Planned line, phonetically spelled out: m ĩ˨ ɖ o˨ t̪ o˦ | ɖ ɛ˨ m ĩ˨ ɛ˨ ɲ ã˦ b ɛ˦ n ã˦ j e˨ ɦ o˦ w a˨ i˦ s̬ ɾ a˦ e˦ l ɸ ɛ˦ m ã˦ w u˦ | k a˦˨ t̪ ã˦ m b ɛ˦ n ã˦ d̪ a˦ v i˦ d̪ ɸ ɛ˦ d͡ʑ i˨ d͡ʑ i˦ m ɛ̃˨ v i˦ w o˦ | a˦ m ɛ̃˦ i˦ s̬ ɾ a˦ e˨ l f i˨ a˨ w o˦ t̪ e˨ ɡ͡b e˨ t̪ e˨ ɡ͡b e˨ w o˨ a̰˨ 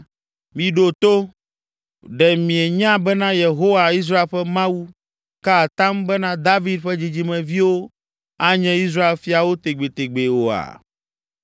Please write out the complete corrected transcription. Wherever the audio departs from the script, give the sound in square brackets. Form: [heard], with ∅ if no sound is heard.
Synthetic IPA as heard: m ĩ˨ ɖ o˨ t̪ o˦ | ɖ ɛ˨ m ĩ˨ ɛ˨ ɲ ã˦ b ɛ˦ n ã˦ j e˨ ɦ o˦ w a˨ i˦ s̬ ɾ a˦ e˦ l ɸ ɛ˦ m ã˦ w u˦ | k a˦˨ t̪ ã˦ m b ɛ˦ n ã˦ d̪ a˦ v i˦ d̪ ɸ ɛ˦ d͡ʑ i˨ d͡ʑ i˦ m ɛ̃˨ v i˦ w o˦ | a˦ [ɲ] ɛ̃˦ i˦ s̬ ɾ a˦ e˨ l f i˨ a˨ w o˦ t̪ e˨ ɡ͡b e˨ t̪ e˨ ɡ͡b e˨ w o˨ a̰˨

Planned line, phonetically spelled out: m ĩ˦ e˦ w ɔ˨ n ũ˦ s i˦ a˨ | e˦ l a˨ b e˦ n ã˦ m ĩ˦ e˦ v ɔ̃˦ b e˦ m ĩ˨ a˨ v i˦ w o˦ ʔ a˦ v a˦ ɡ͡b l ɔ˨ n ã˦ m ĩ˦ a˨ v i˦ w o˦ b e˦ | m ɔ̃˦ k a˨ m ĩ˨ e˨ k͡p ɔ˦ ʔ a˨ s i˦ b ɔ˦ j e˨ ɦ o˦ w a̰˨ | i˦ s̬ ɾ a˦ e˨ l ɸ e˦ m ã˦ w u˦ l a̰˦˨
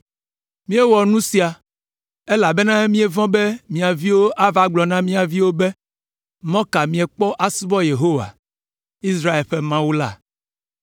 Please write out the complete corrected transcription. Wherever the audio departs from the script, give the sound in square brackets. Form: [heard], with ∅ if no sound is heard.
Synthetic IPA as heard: m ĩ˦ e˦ w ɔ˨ n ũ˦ s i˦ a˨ | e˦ l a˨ b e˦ n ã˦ m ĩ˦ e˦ v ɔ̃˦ b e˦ m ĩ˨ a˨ v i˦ w o˦ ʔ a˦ v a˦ ɡ͡b l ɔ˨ n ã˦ m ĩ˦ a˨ v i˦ w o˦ b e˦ | m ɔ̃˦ k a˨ m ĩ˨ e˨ k͡p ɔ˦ ʔ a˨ s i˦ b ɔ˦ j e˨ ɦ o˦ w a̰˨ | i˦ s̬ ɾ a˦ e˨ l ɸ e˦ m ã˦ w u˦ l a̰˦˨

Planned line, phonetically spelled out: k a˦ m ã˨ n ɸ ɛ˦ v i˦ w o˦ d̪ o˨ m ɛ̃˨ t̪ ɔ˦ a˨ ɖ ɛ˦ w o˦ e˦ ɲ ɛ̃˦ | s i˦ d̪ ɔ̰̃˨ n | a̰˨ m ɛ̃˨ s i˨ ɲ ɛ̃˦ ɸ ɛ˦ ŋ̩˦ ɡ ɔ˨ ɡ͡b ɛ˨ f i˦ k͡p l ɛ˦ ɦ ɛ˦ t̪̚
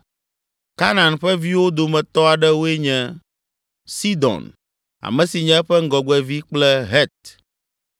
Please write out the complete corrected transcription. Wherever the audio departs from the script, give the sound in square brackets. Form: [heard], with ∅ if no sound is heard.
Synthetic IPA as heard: k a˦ [n] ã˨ n ɸ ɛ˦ v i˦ w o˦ d̪ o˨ m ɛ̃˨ t̪ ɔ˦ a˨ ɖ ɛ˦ w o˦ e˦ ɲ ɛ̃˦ | s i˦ d̪ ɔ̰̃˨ n | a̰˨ m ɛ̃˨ s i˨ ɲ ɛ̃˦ ɸ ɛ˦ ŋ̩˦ ɡ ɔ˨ ɡ͡b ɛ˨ [v] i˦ k͡p l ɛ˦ ɦ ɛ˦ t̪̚

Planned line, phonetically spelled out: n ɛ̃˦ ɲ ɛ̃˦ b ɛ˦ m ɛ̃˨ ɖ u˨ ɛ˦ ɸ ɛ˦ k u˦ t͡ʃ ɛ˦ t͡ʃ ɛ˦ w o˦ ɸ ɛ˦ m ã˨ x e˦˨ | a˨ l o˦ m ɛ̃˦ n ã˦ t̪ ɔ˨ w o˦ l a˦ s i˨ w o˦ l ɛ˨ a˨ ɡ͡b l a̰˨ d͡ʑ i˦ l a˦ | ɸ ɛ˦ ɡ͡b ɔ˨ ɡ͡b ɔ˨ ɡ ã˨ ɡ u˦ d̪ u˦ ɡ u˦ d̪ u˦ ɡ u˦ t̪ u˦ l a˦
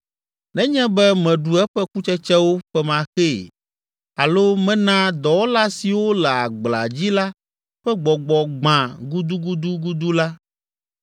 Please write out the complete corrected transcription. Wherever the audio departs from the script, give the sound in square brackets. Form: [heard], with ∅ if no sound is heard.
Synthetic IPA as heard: n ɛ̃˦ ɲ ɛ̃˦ b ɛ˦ m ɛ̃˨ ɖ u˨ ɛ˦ ɸ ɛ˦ k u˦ t͡ʃ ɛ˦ t͡ʃ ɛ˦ w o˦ ɸ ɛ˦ m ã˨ x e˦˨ | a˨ l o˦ m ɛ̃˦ n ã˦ [d̪] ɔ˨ w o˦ l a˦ s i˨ w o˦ l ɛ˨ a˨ ɡ͡b l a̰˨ d͡ʑ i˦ l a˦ | ɸ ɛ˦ ɡ͡b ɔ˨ ɡ͡b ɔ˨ [ɡ͡b] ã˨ ɡ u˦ d̪ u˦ ɡ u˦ d̪ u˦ ɡ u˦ [d̪] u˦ l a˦

